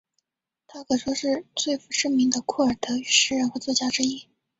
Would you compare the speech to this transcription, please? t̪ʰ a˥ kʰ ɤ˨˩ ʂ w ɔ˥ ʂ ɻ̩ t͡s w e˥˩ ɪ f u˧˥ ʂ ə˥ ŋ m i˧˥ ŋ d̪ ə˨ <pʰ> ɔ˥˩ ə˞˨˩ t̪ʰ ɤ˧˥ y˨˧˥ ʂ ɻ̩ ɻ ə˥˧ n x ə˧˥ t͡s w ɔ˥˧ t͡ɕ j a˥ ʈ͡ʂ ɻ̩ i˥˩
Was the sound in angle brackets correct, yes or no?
no